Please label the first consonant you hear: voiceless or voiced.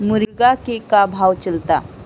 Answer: voiced